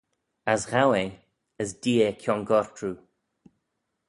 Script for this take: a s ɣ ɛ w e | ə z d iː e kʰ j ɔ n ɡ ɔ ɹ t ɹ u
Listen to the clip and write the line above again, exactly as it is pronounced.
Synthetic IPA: a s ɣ a w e | ə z d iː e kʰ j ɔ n ɡ ɔ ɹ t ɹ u

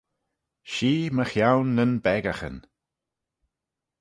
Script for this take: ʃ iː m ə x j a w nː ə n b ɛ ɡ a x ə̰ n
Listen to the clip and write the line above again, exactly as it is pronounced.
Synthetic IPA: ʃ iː m ə x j a w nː ə n b ɛ ɡ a x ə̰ n

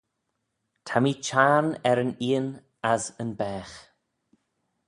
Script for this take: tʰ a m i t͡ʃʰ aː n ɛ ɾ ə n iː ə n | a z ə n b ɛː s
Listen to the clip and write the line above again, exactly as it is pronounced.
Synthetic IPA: tʰ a m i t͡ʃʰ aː n ɛ ɾ ə n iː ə n | a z ə n b ɛː x

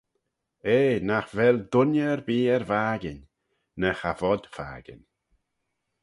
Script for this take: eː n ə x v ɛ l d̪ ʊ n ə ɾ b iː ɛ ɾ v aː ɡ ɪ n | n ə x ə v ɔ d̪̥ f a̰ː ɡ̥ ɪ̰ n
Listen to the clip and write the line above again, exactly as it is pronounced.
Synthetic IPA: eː n a x v ɛ l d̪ ʊ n ə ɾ b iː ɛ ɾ v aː ɡ ɪ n | n ə x a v ɔ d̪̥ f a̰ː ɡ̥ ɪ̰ n

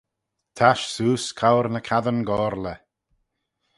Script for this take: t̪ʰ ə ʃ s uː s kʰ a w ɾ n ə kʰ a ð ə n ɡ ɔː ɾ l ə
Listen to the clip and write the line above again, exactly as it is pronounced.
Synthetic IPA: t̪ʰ a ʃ s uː s kʰ a w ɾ n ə kʰ a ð ə n ɡ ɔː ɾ l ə

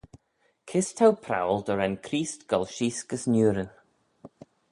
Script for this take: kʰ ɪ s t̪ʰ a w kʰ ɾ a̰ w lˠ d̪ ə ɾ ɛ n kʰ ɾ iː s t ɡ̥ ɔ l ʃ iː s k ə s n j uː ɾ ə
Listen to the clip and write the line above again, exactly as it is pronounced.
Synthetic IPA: kʰ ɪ s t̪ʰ a w pʰ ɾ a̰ w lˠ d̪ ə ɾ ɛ n kʰ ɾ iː s t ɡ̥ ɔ l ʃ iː s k ə s n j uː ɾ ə

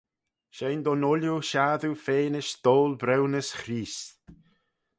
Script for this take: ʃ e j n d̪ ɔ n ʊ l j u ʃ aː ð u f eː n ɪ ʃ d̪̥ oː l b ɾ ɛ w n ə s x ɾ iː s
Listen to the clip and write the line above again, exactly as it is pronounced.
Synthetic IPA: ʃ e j n d̪ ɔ n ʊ l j u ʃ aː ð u f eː n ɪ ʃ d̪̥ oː l b ɾ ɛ w n ə s x ɾ iː s

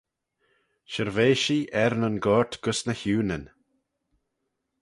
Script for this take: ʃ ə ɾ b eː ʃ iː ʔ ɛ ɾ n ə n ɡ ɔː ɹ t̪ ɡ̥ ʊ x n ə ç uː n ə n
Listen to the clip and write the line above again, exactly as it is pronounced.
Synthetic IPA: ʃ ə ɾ v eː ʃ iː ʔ ɛ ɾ n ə n ɡ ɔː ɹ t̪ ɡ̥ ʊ s n ə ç uː n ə n

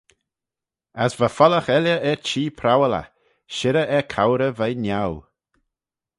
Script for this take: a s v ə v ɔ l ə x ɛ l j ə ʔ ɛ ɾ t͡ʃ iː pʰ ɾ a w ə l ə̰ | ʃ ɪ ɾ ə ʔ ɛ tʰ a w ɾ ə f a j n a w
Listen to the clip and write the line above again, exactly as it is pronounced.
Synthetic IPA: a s v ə f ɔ l ə x ɛ l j ə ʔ ɛ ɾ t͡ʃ iː pʰ ɾ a w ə l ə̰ | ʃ ɪ ɾ ə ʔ ɛ kʰ a w ɾ ə v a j n a w

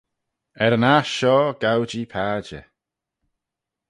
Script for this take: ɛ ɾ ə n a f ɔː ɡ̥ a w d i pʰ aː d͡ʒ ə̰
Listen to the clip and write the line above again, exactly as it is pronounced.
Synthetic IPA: ɛ ɾ ə n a ʃ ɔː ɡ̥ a w d͡ʒ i pʰ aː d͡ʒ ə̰

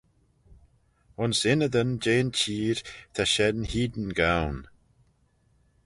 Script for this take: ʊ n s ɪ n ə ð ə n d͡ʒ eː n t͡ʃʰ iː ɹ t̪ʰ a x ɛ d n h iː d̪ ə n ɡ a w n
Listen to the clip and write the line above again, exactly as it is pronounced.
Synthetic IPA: ʊ n s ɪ n ə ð ə n d͡ʒ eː n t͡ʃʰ iː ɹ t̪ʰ a ʃ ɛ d n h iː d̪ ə n ɡ a w n

